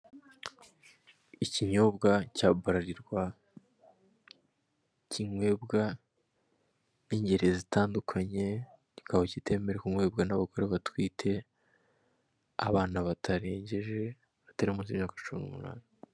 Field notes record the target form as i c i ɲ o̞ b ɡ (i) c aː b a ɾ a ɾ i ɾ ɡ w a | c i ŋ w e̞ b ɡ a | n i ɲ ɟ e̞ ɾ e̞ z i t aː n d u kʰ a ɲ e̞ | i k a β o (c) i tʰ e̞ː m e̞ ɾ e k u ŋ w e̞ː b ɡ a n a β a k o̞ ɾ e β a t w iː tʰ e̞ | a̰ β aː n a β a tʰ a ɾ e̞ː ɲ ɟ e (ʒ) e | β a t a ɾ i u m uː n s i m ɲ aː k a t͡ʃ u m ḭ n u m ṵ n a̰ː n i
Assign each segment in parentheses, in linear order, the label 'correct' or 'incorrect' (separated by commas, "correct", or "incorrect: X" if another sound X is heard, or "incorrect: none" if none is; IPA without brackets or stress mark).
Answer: incorrect: a, correct, correct